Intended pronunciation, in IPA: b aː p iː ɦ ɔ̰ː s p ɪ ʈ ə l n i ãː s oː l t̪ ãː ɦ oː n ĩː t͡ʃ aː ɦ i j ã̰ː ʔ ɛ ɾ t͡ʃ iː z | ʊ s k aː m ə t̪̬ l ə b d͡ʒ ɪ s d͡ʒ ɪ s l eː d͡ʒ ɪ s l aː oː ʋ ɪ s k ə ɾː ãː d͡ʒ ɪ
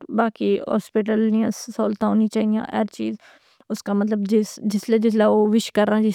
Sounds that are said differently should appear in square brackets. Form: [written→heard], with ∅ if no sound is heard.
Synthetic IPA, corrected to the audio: b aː [p→k] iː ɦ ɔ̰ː s p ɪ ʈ ə l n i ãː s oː l t̪ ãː ɦ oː n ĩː t͡ʃ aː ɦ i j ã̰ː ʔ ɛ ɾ t͡ʃ iː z | ʊ s k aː m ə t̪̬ l ə b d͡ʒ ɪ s d͡ʒ ɪ s l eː d͡ʒ ɪ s l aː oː ʋ ɪ [s→ʃ] k ə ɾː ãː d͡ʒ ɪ